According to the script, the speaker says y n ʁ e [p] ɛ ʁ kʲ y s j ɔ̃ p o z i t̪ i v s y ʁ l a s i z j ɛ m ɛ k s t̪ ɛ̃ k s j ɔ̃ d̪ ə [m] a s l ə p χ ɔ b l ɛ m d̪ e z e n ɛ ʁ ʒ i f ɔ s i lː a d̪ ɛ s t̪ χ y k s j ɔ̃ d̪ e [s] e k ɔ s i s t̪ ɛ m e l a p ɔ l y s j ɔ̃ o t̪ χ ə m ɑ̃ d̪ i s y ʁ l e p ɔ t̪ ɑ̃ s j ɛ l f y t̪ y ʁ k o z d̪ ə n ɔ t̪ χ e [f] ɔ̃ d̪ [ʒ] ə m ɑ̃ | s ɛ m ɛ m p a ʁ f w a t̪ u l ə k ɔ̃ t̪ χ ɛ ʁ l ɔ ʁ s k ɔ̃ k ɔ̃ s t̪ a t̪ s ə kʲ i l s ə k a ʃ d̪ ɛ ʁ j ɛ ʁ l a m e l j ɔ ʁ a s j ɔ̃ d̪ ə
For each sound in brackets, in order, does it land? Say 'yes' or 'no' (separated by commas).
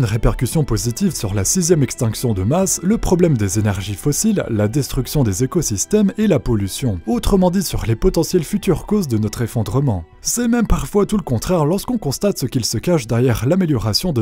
yes, yes, no, yes, no